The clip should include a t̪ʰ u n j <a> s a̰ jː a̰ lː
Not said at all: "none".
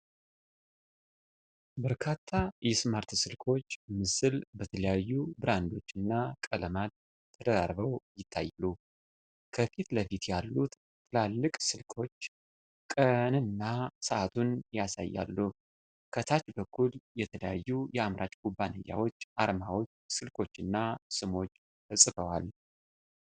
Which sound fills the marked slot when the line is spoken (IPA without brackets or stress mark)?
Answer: a